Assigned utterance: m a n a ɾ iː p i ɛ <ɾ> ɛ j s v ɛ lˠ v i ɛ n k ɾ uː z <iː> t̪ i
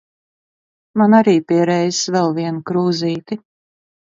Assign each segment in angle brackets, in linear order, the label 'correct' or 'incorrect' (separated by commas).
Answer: correct, correct